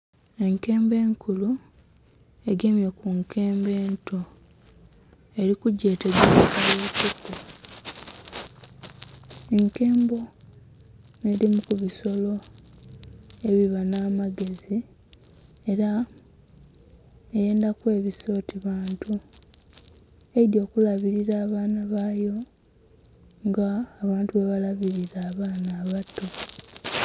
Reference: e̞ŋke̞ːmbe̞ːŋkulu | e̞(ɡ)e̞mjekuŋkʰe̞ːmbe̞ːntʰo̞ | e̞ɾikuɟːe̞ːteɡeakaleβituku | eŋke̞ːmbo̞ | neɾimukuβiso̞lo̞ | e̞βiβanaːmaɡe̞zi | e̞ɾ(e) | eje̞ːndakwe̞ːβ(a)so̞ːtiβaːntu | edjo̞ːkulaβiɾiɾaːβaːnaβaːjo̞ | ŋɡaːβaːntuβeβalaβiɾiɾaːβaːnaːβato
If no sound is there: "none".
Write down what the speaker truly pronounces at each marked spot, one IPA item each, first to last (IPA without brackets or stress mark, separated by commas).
ɡ, a, i